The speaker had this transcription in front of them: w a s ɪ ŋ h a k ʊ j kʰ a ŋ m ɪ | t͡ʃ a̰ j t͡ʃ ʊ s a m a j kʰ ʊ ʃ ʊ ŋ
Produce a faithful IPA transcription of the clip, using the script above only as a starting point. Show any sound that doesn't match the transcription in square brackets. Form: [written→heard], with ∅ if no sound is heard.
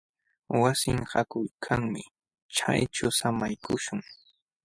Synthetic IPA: w a s ɪ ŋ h a k ʊ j kʰ a ŋ m ɪ | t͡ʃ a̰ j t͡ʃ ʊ s a m a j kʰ ʊ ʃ ʊ ŋ